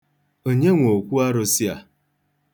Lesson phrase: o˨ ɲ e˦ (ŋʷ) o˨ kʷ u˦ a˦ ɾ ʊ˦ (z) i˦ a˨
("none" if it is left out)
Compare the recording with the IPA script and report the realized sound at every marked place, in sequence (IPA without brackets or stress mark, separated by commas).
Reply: ŋʷ, s